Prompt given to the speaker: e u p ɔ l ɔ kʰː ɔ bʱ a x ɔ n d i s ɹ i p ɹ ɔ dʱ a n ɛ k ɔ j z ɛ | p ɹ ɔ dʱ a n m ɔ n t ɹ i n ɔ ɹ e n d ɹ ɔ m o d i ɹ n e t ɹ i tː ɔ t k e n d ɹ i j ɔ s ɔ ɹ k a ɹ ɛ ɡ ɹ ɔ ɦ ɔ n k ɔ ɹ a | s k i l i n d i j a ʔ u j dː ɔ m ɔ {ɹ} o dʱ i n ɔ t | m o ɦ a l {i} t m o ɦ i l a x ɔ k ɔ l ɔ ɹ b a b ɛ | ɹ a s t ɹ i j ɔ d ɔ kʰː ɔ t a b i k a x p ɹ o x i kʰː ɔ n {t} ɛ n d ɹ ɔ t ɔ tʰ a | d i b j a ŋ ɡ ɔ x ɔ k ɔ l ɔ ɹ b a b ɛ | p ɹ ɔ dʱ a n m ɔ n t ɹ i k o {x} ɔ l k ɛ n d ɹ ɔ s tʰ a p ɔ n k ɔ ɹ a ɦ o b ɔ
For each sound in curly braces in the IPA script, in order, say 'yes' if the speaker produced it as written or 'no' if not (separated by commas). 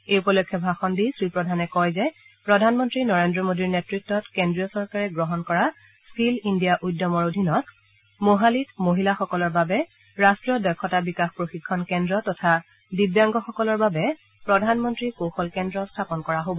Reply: yes, yes, no, yes